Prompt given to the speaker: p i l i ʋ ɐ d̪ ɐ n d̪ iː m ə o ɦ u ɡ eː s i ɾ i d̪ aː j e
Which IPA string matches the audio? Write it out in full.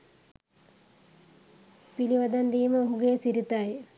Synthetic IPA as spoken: p i l i ʋ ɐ d̪ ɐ n d̪ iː m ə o ɦ u ɡ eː s i ɾ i t̪ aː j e